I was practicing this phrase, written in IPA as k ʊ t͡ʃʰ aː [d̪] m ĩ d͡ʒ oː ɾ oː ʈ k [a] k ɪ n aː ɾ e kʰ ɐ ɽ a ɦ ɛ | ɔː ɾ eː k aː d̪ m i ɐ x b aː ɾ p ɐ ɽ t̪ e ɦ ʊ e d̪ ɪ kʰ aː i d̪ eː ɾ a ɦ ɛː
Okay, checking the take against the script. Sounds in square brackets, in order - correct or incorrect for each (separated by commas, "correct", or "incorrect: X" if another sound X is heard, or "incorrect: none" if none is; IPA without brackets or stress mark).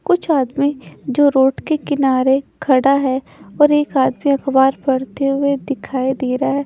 correct, incorrect: e